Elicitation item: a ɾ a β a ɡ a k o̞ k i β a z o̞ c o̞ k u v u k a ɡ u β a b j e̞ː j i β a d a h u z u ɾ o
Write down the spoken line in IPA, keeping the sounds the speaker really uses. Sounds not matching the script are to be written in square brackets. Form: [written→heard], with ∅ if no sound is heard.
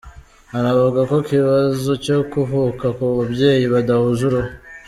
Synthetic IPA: a ɾ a β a ɡ a k o̞ k i β a z o̞ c o̞ k u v u k a [ɡ→k] u β a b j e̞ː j i β a d a h u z u ɾ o